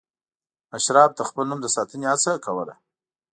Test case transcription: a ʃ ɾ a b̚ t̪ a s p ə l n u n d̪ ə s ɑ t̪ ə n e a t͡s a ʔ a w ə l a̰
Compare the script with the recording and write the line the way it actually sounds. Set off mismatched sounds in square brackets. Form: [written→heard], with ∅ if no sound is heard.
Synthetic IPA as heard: a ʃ ɾ [a→ɑ] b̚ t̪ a [s→x] p ə l n u [n→m] d̪ ə s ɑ t̪ ə n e a t͡s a [ʔ→k] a w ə l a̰